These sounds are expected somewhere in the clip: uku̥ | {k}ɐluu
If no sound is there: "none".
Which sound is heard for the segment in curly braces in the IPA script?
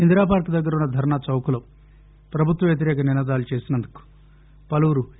p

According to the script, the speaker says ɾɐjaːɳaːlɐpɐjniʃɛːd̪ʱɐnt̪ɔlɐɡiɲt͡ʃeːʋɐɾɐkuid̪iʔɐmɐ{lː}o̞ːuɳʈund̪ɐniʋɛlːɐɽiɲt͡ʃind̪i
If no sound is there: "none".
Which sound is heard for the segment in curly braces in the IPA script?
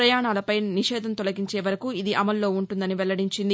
lː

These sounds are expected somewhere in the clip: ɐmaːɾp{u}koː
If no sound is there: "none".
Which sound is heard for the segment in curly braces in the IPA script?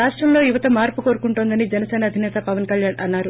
u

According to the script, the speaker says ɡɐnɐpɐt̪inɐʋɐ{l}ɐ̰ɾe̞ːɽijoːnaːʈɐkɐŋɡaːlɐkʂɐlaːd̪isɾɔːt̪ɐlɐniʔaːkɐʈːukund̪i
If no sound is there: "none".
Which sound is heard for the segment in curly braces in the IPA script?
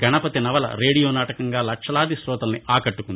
l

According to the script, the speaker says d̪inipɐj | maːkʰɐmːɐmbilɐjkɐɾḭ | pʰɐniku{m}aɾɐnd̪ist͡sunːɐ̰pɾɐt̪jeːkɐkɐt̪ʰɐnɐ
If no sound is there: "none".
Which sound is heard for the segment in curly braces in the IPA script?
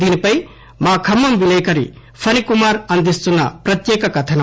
m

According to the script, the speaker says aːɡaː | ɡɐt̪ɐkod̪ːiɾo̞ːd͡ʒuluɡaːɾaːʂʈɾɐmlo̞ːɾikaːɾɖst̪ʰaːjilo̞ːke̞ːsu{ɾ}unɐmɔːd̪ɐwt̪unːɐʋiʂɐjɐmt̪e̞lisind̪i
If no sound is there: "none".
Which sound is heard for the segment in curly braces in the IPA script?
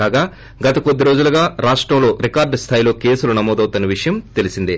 l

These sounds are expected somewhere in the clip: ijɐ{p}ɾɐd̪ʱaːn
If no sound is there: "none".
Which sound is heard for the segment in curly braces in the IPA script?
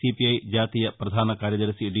p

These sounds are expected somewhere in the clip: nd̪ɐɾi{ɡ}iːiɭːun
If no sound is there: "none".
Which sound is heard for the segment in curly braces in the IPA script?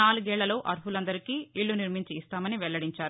k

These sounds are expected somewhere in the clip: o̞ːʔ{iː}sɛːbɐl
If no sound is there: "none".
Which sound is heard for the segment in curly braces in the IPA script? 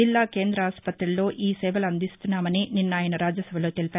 iː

